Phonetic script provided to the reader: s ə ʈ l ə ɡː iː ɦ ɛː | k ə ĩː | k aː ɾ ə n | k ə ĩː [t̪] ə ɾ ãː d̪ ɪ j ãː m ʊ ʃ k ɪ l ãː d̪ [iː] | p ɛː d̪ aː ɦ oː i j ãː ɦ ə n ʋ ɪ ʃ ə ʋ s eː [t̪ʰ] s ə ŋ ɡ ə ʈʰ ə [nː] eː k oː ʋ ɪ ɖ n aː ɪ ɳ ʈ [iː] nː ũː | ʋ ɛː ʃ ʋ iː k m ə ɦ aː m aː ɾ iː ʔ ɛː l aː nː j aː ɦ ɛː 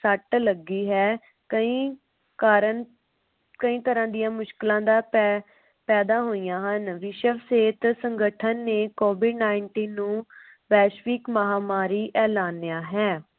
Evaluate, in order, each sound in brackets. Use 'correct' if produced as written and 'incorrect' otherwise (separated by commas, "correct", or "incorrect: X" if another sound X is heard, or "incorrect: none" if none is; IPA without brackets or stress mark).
correct, incorrect: aː, incorrect: t̪, correct, correct